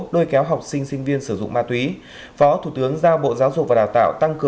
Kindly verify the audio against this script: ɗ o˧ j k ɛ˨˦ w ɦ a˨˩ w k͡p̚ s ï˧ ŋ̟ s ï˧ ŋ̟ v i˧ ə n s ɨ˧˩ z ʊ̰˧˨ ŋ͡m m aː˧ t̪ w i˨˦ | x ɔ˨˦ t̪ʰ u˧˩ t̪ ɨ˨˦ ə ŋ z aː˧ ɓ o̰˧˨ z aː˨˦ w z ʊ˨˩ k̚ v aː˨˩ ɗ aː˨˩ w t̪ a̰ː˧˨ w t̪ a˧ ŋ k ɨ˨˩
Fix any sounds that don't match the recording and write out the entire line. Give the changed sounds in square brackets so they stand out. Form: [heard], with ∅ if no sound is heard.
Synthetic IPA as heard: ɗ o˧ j k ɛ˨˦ w ɦ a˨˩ w k͡p̚ s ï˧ ŋ̟ s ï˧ ŋ̟ v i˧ ə n s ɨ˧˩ z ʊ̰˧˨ ŋ͡m m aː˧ t̪ w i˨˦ | [f] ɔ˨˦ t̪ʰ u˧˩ t̪ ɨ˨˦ ə ŋ z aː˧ ɓ o̰˧˨ z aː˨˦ w z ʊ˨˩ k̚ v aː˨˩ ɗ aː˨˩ w t̪ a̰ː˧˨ w t̪ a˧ ŋ k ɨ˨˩